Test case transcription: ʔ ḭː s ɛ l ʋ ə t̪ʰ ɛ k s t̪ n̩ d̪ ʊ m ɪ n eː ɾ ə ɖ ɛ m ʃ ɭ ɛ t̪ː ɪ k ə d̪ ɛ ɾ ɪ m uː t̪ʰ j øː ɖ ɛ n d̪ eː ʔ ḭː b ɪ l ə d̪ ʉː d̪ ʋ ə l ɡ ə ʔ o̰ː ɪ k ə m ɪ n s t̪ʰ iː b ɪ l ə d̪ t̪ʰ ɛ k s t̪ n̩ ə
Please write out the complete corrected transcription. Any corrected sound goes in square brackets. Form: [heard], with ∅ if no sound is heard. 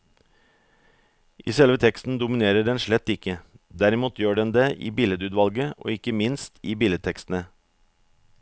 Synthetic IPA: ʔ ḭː s ɛ l ʋ ə t̪ʰ ɛ k s t̪ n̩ d̪ ʊ m ɪ n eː ɾ ə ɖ ɛ [n] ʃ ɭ ɛ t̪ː ɪ k ə d̪ [æ] ɾ ɪ m uː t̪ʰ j øː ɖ ɛ n d̪ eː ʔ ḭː b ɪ l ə d̪ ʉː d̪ ʋ [ɑ] l ɡ ə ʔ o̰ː ɪ k ə m ɪ n s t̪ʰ iː b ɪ l ə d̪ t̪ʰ ɛ k s t̪ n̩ ə